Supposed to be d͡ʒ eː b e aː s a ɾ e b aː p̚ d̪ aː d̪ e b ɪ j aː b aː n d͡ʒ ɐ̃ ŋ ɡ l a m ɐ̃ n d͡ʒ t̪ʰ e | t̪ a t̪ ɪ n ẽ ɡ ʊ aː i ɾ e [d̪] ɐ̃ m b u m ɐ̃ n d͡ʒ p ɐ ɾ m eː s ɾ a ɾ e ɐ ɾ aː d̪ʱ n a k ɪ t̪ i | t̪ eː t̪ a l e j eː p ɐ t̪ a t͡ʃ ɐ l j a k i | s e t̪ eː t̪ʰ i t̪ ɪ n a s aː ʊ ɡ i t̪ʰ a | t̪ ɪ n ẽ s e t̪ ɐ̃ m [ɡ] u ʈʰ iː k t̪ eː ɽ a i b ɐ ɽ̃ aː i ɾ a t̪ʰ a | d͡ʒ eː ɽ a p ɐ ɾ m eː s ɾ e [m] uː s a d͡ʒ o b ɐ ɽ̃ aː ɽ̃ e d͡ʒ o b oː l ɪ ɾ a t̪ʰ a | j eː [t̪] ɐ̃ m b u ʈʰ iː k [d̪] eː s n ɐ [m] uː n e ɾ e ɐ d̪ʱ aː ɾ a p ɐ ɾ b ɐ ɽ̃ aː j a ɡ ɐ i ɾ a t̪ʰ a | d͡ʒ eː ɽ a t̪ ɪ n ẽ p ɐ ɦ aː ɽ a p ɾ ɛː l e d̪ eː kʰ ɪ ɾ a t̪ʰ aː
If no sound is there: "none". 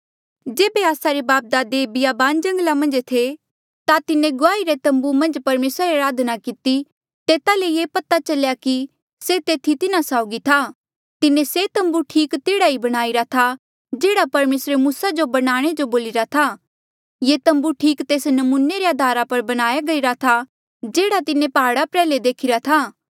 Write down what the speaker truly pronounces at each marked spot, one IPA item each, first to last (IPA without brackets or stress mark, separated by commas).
t̪, b, m, t̪, t̪, m